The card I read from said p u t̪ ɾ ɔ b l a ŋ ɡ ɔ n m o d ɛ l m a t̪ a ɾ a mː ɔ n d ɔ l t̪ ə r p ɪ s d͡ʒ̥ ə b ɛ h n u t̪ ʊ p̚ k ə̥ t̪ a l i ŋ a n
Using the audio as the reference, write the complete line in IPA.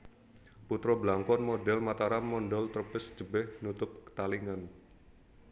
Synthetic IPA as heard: p u t̪ ɾ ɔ b l a ŋ k ɔ n m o d ɛ l m a t̪ a ɾ a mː ɔ n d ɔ l t̪ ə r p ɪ s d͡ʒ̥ ə b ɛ h n u t̪ ʊ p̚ k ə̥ t̪ a l i ŋ a n